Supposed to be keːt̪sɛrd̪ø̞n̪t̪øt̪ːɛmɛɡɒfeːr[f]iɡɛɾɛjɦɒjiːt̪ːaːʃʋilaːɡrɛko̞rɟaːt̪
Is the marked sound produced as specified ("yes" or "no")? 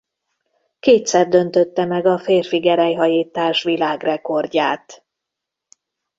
yes